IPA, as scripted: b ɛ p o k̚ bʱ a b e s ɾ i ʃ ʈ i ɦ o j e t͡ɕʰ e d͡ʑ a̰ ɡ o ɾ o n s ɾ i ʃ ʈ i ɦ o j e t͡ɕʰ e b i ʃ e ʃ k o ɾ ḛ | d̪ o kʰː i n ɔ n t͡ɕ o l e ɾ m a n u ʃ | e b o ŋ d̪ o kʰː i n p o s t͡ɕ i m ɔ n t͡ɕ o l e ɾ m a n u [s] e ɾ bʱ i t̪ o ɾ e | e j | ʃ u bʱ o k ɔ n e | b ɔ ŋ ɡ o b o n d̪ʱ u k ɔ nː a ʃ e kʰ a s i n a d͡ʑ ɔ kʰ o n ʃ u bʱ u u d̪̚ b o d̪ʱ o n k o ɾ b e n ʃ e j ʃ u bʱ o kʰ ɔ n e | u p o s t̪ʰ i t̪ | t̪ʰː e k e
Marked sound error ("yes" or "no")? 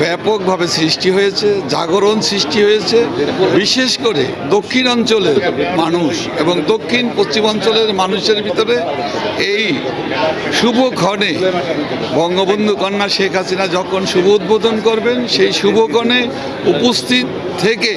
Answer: yes